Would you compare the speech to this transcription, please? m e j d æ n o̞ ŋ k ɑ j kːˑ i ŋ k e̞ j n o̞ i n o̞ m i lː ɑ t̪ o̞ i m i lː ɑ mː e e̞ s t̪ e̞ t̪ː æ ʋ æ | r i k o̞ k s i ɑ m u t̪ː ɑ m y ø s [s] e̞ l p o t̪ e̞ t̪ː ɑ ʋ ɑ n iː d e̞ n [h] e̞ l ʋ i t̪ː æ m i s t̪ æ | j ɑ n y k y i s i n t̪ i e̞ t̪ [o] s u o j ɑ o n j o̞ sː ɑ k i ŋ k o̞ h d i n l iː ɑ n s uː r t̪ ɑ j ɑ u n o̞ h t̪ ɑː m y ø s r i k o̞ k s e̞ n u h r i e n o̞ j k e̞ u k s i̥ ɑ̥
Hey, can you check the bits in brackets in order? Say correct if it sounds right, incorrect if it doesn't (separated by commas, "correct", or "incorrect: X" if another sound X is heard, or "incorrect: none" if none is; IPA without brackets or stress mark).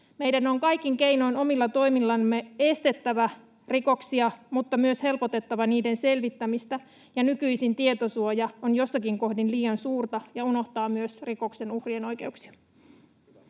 incorrect: h, incorrect: s, correct